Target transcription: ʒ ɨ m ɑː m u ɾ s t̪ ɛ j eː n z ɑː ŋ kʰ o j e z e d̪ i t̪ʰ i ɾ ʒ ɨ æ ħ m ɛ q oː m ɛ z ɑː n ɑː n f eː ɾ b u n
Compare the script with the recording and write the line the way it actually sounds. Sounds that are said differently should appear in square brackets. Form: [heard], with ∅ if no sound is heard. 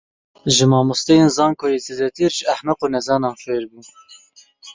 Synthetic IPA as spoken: ʒ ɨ m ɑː m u [∅] s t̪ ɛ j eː n z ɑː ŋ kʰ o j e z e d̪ [ɛ] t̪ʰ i ɾ ʒ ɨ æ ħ m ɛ q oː [n] ɛ z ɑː n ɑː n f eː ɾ b u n